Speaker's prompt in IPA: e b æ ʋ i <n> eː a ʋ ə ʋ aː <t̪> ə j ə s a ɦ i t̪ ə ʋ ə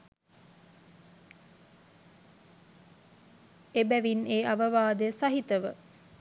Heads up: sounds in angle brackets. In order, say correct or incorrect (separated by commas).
correct, incorrect